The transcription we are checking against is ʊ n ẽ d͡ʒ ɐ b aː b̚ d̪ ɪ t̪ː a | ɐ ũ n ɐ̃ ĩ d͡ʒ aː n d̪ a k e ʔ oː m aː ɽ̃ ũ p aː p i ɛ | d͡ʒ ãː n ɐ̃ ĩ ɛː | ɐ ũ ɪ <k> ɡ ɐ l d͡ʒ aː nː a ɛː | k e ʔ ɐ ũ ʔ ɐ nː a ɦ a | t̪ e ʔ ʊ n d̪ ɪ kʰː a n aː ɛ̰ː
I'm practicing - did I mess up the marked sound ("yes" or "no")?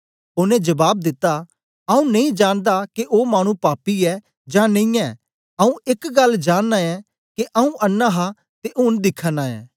no